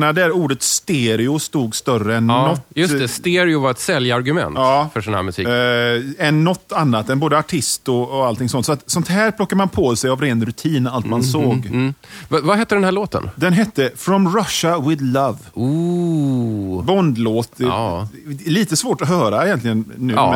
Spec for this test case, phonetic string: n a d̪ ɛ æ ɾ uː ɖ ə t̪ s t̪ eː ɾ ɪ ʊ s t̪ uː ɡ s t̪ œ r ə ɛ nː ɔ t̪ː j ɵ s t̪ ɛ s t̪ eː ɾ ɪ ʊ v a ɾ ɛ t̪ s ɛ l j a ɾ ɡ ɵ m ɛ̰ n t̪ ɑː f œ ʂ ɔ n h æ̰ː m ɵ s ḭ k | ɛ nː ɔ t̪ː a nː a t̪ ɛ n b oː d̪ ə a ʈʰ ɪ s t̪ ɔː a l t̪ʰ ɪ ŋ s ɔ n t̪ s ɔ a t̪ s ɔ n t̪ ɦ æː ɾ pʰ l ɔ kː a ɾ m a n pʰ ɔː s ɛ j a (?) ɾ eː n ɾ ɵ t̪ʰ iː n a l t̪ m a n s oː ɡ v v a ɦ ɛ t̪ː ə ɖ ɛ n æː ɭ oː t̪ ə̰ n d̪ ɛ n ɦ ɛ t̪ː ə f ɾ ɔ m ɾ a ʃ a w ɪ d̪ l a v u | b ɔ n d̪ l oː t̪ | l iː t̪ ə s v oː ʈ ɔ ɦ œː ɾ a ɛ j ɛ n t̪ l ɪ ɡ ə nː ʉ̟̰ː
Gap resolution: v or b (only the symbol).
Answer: v